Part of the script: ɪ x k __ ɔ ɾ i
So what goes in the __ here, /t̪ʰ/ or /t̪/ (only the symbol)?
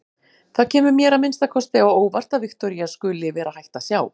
t̪